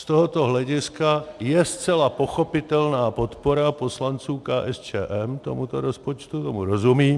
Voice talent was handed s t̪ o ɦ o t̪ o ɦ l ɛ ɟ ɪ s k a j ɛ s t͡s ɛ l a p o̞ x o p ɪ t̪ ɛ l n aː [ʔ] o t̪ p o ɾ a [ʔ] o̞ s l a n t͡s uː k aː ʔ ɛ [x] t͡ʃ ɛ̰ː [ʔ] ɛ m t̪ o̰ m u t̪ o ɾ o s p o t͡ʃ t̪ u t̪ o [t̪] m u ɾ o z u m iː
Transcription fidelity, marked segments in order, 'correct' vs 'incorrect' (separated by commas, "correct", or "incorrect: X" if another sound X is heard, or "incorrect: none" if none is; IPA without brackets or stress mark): incorrect: p, incorrect: p, incorrect: s, correct, incorrect: none